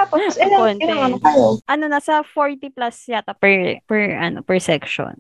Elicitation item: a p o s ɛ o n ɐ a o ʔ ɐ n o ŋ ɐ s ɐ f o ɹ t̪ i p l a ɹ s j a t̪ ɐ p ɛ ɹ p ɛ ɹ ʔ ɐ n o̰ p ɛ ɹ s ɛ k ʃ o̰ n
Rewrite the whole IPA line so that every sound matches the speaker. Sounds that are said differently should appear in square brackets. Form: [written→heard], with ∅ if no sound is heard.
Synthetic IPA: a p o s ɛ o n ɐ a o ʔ ɐ n o [ŋ→n] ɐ s ɐ f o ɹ t̪ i p l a [ɹ→∅] s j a t̪ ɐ p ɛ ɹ p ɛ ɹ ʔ ɐ n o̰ p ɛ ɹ s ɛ k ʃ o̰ n